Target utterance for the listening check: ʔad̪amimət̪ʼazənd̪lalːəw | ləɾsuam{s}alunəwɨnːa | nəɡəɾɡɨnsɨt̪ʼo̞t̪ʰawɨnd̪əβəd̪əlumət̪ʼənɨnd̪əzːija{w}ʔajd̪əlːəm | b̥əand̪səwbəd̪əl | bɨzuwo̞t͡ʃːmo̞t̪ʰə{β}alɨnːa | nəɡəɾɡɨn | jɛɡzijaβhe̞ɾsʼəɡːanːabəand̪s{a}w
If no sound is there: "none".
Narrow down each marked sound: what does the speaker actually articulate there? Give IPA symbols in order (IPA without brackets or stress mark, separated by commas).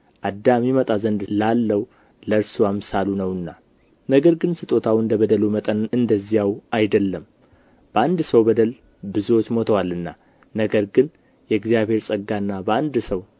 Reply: s, w, w, ə